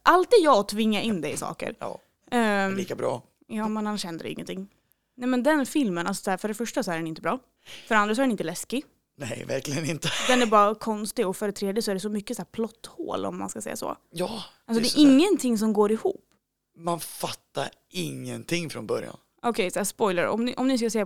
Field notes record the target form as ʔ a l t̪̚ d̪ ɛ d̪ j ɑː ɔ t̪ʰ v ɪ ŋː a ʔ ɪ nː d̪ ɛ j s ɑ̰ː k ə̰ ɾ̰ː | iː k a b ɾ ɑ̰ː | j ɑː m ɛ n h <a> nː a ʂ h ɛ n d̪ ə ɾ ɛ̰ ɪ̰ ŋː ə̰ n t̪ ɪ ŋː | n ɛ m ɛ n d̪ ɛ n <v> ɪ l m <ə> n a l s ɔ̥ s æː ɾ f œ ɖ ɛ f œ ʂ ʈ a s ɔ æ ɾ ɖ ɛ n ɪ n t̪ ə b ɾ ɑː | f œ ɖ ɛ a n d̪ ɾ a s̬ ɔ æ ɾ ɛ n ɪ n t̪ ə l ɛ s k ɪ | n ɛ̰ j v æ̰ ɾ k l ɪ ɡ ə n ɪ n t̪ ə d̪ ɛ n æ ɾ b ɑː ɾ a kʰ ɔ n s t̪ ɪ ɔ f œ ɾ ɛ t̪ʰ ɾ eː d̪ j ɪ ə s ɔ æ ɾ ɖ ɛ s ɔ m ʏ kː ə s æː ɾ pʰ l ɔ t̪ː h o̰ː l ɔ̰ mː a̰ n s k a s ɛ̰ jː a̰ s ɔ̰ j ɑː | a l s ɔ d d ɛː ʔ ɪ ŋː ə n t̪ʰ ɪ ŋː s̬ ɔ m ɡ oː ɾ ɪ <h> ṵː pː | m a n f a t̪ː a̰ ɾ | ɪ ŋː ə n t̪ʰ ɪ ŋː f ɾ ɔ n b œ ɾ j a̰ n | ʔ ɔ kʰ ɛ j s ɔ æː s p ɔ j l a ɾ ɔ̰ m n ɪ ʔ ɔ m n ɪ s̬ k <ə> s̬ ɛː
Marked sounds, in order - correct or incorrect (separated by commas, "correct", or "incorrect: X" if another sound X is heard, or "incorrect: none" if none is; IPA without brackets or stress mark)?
correct, incorrect: f, correct, correct, incorrect: a